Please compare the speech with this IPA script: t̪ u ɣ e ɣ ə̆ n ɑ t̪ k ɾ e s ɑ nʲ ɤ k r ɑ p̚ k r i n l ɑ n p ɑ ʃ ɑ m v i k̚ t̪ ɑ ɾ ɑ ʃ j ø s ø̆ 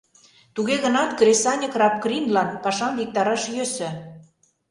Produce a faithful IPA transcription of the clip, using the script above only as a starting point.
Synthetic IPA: t̪ u ɣ e ɣ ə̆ n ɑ t̪ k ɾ e s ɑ nʲ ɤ k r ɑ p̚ k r i n l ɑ n p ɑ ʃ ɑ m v i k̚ t̪ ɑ ɾ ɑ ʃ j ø s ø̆